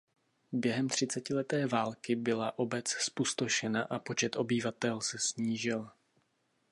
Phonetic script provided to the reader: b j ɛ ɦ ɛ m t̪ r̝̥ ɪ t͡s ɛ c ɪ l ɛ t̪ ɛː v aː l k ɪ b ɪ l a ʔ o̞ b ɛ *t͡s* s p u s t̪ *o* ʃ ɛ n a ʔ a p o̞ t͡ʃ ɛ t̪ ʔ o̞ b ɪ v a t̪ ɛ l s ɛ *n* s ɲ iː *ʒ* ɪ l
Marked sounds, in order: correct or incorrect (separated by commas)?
correct, correct, incorrect, correct